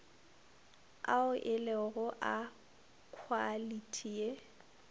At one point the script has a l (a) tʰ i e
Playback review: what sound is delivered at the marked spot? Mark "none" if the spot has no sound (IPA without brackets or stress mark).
i